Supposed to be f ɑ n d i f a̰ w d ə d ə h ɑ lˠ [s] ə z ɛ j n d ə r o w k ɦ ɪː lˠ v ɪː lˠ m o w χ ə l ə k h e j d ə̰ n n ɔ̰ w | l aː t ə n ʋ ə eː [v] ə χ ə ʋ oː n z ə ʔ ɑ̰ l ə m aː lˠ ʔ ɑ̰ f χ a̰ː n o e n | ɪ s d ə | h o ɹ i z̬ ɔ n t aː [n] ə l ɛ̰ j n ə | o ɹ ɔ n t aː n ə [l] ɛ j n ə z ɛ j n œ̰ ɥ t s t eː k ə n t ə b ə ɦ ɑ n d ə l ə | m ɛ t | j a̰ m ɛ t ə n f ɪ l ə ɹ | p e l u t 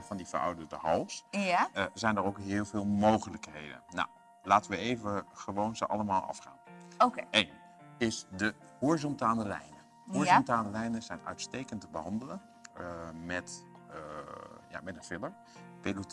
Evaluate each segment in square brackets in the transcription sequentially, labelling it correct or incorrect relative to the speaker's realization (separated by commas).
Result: correct, correct, correct, correct